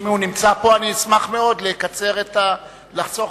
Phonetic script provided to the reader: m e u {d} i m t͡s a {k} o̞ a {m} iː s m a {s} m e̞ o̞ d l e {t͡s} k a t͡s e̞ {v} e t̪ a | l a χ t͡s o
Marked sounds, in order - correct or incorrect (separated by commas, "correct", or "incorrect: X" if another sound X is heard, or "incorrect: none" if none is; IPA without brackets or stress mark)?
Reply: incorrect: n, incorrect: p, incorrect: n, incorrect: χ, incorrect: none, incorrect: ʁ